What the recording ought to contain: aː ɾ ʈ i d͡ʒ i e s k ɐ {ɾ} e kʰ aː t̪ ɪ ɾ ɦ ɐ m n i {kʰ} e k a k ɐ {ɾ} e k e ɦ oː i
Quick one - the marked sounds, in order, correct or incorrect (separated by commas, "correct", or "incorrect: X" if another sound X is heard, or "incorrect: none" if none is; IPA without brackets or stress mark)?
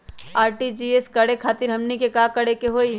incorrect: ɽ, incorrect: k, incorrect: ɽ